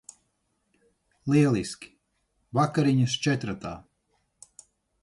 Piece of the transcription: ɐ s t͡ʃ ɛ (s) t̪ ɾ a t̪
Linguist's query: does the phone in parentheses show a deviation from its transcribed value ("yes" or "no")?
yes